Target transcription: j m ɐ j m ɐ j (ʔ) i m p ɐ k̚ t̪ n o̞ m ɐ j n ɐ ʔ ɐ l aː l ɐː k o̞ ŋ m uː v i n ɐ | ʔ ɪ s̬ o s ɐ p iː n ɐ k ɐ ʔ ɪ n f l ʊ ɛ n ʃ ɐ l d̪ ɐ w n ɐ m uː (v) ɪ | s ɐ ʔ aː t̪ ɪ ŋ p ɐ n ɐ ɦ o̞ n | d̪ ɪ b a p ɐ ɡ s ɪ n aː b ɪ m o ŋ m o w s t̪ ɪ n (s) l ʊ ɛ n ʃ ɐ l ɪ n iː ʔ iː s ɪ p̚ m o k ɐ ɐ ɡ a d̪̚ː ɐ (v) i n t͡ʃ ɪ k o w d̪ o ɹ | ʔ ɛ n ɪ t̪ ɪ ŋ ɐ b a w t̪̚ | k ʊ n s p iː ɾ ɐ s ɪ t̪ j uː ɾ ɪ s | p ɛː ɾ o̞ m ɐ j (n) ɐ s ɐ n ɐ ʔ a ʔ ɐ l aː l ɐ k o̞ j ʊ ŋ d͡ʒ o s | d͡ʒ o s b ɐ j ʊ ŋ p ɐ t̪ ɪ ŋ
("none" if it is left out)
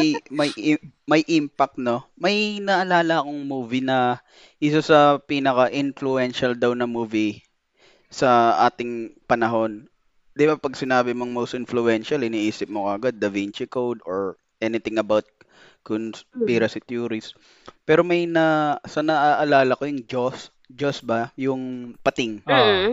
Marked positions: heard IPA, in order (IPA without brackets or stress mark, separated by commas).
ʔ, v, f, v, n